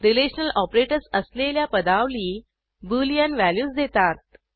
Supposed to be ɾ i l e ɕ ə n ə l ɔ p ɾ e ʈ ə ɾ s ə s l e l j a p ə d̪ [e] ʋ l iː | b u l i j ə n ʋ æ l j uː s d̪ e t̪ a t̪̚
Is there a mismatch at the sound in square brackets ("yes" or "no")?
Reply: yes